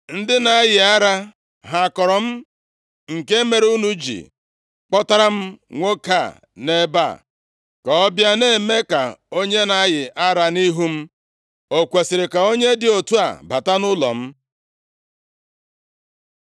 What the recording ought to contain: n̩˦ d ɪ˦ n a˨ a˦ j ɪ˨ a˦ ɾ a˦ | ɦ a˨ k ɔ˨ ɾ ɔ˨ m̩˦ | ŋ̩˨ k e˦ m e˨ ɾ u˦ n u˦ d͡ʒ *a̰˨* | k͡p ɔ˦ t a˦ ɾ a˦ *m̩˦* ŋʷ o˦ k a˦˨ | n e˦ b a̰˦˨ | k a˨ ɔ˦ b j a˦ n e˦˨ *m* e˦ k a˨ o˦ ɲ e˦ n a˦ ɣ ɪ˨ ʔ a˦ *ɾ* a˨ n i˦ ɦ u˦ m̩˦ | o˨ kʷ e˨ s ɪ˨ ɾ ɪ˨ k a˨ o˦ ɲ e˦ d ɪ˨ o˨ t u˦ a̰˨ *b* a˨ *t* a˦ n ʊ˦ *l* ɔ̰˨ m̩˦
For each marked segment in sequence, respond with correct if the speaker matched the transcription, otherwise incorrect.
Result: incorrect, correct, correct, correct, correct, correct, correct

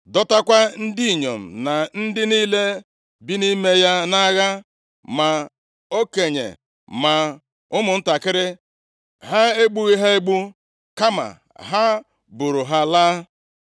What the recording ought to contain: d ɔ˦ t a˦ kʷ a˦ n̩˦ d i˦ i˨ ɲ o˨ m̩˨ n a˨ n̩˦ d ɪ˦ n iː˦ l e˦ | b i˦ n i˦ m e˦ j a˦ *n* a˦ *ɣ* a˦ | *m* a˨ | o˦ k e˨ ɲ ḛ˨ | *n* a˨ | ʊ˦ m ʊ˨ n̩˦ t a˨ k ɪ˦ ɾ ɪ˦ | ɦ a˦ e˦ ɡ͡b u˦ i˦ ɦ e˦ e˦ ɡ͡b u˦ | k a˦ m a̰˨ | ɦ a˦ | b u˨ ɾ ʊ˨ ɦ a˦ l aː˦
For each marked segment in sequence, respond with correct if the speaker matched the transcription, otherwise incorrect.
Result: correct, correct, correct, incorrect

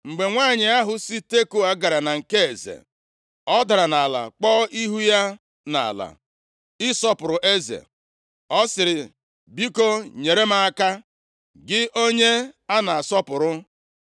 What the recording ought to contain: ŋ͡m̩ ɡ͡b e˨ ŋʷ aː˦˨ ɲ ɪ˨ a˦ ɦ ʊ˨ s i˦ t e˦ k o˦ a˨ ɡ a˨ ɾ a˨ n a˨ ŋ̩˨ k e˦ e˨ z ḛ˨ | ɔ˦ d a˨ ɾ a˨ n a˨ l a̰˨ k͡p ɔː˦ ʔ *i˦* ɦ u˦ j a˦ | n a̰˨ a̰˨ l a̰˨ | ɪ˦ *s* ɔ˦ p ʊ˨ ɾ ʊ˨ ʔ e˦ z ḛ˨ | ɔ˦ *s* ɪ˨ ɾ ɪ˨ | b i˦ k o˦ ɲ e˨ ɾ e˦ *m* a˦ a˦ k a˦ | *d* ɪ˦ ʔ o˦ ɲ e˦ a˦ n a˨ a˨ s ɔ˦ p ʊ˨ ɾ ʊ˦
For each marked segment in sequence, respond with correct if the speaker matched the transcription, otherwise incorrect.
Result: correct, correct, correct, correct, incorrect

